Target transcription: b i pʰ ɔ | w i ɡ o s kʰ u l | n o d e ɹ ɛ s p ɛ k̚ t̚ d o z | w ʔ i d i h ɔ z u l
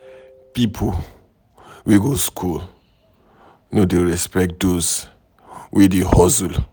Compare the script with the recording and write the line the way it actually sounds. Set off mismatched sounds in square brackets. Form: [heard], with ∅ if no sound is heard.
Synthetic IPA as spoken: [p] i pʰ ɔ | w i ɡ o s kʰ u l | n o d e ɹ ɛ s p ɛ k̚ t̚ d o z | w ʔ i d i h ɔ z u l